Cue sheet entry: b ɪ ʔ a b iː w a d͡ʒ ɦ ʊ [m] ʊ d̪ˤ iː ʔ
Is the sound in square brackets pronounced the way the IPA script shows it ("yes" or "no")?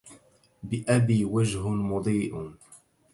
yes